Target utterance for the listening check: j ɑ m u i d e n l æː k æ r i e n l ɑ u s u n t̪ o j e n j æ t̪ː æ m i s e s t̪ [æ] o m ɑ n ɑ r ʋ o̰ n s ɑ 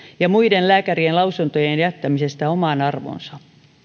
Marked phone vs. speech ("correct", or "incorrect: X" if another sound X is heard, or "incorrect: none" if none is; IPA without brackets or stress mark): correct